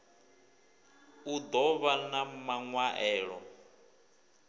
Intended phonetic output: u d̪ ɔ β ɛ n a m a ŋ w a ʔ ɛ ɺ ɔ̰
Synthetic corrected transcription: u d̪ ɔ β a n a m a ŋ w a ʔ ɛː ɺ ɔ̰